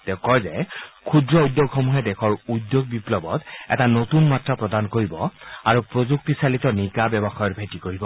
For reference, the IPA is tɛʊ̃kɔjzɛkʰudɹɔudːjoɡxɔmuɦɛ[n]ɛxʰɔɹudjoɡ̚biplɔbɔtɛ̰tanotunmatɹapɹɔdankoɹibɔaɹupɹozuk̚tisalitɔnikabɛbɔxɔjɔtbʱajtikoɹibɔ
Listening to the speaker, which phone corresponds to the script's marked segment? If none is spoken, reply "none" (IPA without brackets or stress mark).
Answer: d